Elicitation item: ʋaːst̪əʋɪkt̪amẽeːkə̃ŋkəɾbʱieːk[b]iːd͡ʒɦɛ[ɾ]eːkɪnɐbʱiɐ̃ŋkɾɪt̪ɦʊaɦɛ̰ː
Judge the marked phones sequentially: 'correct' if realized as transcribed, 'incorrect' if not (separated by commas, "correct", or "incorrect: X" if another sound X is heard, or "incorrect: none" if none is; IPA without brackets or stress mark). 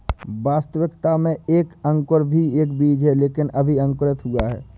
correct, incorrect: l